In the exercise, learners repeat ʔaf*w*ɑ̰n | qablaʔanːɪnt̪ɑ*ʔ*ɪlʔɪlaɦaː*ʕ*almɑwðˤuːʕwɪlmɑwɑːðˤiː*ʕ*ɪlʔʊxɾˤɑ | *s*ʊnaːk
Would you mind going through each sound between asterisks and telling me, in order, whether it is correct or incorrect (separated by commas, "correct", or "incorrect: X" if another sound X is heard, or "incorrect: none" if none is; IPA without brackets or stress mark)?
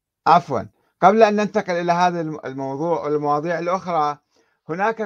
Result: correct, incorrect: q, incorrect: ð, correct, incorrect: h